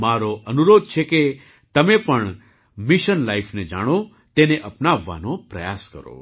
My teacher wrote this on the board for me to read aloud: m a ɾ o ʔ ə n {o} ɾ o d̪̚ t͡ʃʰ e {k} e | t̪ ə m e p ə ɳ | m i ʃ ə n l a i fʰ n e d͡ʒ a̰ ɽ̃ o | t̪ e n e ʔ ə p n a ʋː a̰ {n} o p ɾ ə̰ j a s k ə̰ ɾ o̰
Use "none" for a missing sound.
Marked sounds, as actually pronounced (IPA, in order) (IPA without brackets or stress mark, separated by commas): u, k, n